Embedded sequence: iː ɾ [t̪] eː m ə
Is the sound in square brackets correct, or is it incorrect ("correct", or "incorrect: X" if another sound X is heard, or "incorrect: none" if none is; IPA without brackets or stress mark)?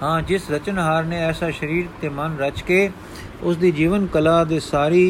correct